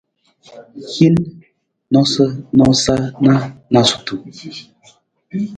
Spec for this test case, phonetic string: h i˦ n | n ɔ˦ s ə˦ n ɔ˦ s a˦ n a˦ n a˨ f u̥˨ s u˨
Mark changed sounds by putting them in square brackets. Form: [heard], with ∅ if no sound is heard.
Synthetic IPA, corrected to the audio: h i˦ n | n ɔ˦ s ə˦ n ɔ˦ s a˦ n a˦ n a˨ [s] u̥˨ [t] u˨